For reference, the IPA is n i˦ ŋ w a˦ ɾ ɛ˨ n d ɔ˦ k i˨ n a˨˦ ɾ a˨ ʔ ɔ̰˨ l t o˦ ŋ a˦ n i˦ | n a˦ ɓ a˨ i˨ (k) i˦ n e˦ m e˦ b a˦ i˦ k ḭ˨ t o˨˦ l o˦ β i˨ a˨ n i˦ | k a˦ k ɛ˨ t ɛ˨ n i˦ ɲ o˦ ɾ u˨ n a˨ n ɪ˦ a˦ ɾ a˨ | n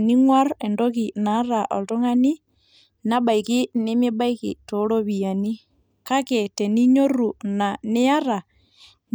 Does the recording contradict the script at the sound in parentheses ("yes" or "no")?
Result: no